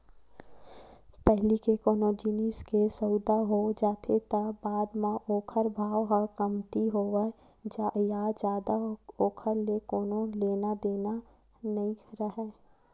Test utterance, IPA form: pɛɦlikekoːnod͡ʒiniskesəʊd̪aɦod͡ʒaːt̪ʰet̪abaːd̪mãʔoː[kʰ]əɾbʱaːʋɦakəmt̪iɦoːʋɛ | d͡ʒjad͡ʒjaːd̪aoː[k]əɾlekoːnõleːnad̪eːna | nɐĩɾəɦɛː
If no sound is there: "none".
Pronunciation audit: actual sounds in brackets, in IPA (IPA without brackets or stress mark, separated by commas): kʰ, kʰ